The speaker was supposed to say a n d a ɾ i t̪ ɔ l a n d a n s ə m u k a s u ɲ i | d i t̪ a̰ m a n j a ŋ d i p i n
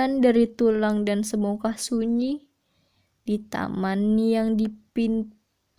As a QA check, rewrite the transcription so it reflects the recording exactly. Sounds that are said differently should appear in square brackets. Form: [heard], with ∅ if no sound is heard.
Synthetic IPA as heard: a n d a ɾ i t̪ [u] l a [ŋ] d a n s ə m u k a s u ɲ i | d i t̪ a̰ m a n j a ŋ d i p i n